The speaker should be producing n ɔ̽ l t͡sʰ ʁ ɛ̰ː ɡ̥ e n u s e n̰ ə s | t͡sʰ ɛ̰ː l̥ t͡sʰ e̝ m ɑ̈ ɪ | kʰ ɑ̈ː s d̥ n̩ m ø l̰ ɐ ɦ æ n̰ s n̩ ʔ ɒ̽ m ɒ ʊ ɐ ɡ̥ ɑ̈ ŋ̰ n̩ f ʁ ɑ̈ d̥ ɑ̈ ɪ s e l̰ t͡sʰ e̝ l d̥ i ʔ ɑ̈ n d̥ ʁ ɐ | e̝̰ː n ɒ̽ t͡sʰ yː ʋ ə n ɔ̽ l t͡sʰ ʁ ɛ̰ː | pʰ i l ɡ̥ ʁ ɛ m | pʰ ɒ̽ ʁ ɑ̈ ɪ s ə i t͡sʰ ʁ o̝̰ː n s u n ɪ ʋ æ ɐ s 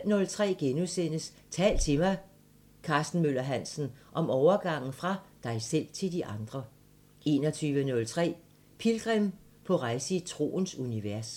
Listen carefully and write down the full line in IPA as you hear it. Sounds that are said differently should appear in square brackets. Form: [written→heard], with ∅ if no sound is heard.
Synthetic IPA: n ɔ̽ l t͡sʰ ʁ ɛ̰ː ɡ̥ e n u s e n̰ ə s | t͡sʰ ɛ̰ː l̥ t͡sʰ e̝ m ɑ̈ ɪ | kʰ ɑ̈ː s d̥ n̩ m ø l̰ ɐ ɦ æ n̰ s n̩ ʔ ɒ̽ m ɒ ʊ ɐ ɡ̥ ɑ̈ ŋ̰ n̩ f ʁ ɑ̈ d̥ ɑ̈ ɪ s e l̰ t͡sʰ e̝ l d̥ i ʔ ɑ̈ n d̥ ʁ ɐ | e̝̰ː n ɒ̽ t͡sʰ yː ʋ ə n ɔ̽ l t͡sʰ ʁ ɛ̰ː | pʰ i l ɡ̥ ʁ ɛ m | pʰ ɒ̽ ʁ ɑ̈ ɪ s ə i t͡sʰ ʁ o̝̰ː n s u n [ɪ→i] ʋ æ ɐ s